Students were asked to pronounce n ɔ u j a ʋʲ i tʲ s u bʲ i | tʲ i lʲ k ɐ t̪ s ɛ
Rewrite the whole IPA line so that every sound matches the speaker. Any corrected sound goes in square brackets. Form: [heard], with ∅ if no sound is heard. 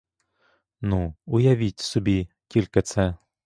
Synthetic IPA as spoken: n [u] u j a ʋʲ i tʲ s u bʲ i | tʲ i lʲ k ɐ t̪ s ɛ